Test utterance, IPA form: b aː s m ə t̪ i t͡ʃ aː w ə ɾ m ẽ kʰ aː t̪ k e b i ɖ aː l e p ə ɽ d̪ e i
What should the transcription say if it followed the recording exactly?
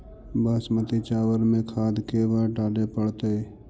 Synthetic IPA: b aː s m ə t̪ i t͡ʃ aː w ə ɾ m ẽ kʰ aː d̪ k e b a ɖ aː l e p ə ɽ t̪ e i